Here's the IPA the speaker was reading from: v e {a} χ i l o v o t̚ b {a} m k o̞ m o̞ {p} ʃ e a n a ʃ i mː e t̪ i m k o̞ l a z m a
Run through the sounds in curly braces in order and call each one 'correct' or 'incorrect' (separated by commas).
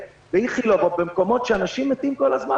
incorrect, incorrect, incorrect